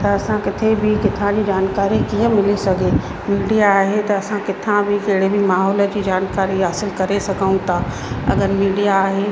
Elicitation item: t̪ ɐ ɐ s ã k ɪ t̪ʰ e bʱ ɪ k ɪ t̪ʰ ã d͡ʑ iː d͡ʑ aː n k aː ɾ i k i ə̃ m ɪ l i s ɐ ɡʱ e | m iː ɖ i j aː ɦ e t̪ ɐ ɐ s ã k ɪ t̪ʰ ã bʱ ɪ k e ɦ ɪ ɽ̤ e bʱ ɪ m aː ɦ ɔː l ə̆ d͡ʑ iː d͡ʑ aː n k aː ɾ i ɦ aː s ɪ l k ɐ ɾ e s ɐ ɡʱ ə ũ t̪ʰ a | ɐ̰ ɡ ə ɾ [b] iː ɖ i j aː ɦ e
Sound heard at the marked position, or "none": m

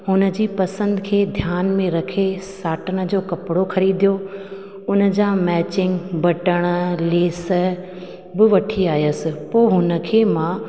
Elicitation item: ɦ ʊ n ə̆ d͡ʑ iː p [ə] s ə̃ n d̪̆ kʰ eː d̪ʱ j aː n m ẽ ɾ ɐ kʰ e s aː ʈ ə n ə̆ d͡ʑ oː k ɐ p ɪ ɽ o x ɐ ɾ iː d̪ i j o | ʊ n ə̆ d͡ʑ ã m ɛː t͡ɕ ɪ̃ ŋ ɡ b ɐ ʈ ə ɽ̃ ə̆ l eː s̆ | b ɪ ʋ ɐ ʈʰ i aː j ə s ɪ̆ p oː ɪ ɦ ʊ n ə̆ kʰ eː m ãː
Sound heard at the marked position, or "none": ɐ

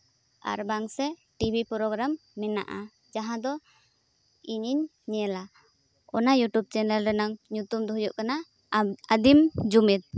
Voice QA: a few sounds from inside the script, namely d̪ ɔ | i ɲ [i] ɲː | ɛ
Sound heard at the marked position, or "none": i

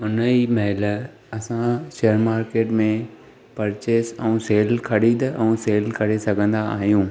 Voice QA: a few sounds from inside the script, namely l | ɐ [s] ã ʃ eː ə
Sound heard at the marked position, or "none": s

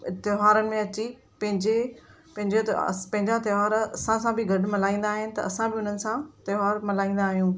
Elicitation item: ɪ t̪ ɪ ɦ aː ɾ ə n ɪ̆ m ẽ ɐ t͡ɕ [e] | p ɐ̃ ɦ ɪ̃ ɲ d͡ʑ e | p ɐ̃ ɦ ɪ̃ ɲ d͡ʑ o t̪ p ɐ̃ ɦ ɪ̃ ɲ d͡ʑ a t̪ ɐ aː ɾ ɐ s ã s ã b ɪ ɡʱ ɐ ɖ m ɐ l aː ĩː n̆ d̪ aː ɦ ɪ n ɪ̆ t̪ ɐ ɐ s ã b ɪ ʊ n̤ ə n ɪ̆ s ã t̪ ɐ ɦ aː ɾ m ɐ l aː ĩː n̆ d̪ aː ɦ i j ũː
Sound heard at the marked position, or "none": i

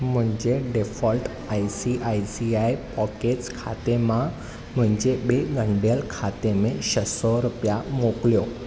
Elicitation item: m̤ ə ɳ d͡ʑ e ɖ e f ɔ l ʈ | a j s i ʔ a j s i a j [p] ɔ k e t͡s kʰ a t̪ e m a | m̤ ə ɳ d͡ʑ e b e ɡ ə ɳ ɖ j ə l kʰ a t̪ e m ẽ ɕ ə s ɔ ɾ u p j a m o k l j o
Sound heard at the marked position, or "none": p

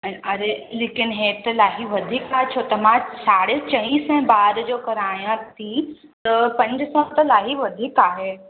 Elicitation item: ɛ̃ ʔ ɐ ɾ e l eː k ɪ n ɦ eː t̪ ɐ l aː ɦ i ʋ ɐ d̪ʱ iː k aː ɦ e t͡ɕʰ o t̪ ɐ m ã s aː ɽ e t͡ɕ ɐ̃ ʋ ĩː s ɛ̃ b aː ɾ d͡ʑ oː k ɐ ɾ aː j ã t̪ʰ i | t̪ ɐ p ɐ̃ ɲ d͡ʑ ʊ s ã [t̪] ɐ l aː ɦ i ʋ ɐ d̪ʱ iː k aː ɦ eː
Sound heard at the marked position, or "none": t̪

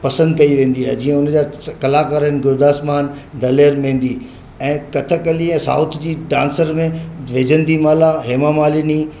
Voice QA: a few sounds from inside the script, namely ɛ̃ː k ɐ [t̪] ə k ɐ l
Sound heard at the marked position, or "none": t̪ʰ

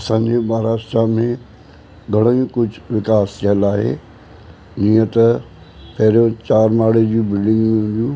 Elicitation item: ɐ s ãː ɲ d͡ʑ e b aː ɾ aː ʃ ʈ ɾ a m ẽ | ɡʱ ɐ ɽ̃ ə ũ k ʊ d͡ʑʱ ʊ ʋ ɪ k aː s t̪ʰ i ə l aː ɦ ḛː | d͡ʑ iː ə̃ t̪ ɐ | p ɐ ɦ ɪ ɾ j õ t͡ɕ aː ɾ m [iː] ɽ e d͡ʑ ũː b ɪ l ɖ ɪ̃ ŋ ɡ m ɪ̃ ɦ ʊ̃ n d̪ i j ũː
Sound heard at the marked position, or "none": aː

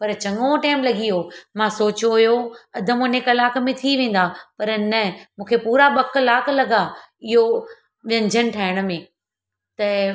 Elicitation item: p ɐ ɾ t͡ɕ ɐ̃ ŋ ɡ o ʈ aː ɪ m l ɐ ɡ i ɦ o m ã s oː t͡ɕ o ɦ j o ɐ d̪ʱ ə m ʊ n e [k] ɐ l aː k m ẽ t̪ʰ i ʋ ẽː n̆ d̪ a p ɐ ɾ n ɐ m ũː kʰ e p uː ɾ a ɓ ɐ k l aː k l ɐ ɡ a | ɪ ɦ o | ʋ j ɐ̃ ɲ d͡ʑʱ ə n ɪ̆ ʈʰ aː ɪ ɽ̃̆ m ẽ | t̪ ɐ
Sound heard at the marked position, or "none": k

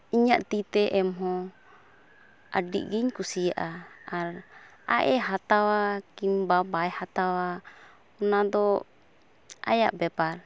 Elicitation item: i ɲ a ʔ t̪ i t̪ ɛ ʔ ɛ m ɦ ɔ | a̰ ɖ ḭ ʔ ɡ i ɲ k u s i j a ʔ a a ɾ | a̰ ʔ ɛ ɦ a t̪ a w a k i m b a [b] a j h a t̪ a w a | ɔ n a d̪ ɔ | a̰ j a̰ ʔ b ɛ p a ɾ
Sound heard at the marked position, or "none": b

